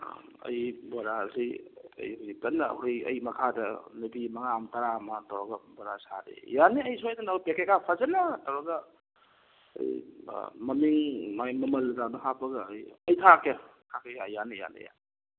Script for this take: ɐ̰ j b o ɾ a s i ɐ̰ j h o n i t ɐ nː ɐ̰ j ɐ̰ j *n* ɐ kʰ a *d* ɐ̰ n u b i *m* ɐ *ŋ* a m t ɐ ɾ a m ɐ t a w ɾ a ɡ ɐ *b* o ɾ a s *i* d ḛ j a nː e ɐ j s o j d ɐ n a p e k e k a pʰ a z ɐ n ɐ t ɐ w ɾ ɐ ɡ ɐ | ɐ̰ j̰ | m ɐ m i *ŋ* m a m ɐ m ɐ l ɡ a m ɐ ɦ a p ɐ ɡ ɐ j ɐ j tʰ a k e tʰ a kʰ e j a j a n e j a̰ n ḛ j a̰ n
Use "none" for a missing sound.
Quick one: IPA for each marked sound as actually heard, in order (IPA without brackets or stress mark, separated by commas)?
m, d, m, ŋ, b, a, ŋ